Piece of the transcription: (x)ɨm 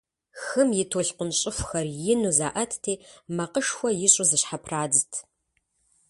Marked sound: correct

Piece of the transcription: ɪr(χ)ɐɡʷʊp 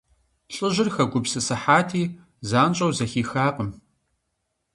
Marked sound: incorrect: x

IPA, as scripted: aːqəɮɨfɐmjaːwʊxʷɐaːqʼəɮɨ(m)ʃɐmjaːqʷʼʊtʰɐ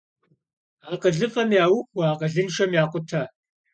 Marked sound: incorrect: n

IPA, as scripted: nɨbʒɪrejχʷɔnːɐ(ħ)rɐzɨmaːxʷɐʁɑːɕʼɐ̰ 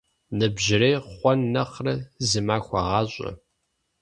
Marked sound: incorrect: χ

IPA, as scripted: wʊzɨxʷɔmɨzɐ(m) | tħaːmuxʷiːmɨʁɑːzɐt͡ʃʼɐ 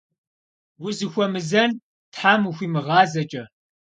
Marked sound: incorrect: n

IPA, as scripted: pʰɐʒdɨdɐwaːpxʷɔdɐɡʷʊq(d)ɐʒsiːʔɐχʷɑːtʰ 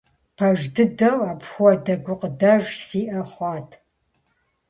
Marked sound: correct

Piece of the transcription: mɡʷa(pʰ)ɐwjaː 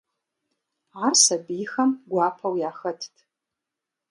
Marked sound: correct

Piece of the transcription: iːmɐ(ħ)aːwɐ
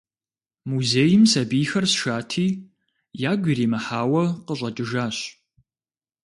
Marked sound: correct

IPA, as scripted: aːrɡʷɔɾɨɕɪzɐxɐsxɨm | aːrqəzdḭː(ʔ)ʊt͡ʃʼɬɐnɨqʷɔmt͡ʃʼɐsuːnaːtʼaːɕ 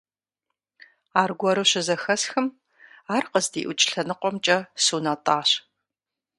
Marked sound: correct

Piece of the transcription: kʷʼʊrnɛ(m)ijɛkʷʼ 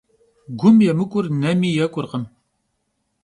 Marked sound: correct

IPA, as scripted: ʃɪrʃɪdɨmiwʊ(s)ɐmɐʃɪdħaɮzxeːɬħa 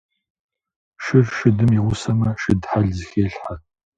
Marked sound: correct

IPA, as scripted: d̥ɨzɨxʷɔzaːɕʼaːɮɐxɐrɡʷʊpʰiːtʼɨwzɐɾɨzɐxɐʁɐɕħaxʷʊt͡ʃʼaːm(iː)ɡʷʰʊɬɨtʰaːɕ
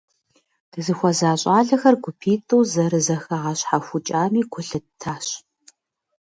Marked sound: correct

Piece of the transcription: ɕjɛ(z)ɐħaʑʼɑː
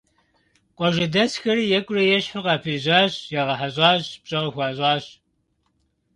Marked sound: incorrect: ʁ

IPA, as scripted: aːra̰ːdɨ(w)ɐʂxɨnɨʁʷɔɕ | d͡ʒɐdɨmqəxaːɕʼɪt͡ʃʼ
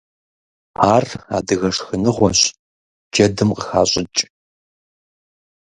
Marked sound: incorrect: ɣ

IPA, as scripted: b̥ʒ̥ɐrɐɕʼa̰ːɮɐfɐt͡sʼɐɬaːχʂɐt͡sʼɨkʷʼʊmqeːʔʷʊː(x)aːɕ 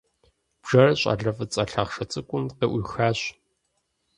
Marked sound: correct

